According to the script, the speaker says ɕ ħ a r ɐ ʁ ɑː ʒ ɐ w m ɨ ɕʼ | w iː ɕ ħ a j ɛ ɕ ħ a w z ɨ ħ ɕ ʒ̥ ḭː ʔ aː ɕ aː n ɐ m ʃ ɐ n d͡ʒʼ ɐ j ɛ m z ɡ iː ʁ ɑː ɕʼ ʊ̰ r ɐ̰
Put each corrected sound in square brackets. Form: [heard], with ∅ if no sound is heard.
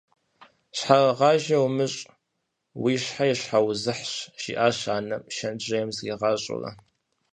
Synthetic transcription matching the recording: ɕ ħ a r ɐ ʁ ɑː ʒ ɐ w m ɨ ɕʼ | w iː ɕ ħ a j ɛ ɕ ħ a w z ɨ ħ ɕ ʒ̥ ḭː ʔ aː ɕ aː n ɐ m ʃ ɐ n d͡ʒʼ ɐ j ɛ m z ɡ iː ʁ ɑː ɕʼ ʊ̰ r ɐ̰